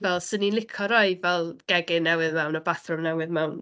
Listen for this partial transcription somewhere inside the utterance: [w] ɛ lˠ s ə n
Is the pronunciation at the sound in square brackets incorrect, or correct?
incorrect